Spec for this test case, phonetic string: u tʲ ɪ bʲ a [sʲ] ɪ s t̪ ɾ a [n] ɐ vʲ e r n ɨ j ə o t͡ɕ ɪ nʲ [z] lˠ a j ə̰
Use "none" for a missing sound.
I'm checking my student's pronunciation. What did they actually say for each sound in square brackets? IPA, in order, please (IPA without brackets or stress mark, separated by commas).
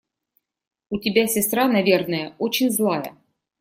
sʲ, n, z